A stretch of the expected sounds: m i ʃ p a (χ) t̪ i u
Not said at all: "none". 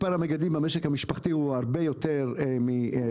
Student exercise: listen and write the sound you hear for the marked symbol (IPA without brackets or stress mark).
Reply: χ